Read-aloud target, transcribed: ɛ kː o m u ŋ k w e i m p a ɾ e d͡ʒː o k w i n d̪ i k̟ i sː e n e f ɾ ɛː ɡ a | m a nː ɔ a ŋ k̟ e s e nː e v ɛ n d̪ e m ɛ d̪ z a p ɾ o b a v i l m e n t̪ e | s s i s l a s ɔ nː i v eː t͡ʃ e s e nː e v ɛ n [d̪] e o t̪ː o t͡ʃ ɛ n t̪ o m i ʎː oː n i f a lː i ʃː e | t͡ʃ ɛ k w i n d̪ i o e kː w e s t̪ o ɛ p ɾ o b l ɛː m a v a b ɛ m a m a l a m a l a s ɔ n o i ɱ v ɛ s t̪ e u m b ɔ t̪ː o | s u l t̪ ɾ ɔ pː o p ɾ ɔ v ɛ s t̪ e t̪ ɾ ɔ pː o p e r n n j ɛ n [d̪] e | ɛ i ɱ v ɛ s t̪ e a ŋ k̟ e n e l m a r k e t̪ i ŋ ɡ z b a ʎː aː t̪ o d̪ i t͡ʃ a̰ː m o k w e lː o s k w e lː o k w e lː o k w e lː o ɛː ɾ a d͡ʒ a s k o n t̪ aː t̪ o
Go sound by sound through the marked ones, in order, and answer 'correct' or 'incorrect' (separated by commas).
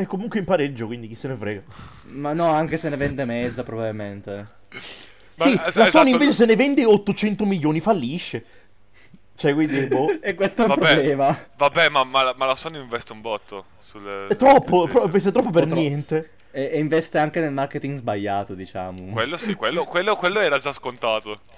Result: correct, incorrect